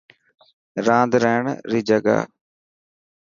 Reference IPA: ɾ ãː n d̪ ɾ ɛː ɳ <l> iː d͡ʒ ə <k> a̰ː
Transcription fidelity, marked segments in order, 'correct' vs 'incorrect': incorrect: ɾ, incorrect: ɡ

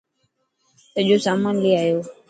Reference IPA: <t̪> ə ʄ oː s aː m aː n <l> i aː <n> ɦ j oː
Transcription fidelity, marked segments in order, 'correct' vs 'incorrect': correct, correct, incorrect: none

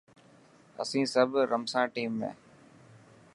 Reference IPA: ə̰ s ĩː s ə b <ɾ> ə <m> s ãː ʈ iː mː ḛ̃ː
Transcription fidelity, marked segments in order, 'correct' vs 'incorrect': correct, correct

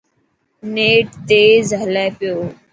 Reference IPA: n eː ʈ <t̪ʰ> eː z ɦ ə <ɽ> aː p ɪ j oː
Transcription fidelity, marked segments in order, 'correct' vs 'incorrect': incorrect: t̪, incorrect: l

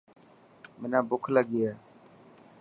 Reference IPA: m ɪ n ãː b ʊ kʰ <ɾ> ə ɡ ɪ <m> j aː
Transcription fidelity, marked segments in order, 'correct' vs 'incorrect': incorrect: l, incorrect: none

